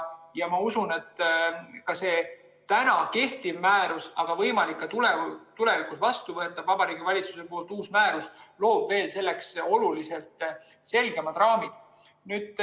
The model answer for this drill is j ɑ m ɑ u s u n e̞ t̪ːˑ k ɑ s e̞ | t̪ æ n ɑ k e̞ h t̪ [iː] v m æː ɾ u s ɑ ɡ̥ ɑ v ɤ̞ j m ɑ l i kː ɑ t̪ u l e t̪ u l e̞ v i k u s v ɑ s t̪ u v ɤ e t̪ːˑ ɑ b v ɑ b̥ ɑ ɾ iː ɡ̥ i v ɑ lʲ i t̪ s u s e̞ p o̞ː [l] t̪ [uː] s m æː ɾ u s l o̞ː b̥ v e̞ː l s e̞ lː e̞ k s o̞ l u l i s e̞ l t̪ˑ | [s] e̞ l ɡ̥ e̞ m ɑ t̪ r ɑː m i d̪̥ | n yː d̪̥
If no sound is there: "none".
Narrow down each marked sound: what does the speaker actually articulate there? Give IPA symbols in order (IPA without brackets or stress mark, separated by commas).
i, l, uː, s